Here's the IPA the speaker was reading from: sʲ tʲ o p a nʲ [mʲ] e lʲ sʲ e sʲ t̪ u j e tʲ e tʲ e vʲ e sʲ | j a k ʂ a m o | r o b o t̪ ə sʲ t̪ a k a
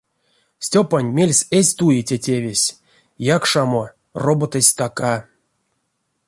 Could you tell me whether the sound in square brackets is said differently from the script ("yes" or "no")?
no